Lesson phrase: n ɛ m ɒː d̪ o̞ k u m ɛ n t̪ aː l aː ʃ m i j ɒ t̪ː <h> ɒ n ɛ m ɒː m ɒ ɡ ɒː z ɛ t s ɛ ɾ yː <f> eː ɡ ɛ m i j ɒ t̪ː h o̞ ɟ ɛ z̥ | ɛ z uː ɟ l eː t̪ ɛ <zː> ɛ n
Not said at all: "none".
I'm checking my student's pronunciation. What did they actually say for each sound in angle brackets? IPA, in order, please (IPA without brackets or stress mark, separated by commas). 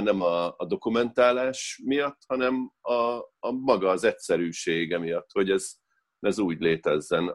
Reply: h, ʃ, zː